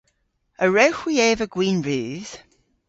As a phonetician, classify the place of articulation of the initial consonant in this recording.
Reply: alveolar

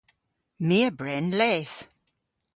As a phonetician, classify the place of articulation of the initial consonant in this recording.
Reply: labial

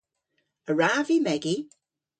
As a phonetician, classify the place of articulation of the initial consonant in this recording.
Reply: alveolar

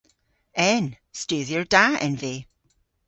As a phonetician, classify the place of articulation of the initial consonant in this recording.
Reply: alveolar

